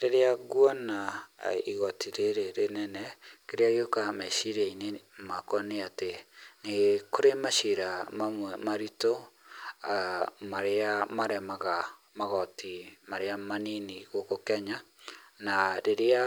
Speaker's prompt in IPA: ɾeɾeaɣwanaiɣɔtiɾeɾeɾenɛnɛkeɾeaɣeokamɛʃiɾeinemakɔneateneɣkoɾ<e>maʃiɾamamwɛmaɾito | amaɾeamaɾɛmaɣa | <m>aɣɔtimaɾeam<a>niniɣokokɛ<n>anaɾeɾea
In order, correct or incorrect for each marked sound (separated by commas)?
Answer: correct, correct, correct, incorrect